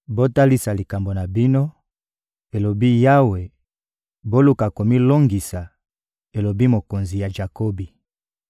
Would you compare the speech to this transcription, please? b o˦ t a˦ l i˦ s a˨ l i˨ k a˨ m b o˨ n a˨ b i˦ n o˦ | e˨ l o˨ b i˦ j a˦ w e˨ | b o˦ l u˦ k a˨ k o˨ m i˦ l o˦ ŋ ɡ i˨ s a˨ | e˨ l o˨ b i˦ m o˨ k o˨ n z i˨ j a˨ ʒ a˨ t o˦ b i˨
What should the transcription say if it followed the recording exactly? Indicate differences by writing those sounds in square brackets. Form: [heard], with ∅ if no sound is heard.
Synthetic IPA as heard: b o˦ t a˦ l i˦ s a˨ l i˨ k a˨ m b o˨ n a˨ b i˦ n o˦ | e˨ l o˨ b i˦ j a˦ w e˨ | b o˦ l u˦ k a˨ k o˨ m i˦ l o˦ ŋ ɡ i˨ s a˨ | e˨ l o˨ b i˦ m o˨ k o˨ n z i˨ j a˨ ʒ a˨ [k] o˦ b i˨